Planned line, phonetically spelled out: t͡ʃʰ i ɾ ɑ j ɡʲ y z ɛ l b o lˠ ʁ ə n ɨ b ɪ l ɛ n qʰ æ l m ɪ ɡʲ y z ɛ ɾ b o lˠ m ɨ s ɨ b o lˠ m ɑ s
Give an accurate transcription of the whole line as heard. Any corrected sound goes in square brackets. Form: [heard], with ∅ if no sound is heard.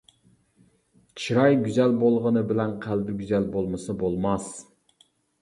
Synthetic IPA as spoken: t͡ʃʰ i ɾ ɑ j ɡʲ y z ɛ l b o lˠ ʁ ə n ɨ b ɪ l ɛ n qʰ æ l [b] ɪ ɡʲ y z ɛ [l] b o lˠ m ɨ s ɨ b o lˠ m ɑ s